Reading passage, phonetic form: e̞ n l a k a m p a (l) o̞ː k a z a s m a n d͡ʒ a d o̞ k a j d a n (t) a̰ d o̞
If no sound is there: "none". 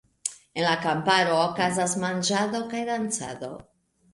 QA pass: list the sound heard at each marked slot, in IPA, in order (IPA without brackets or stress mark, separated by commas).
ɾ, t͡s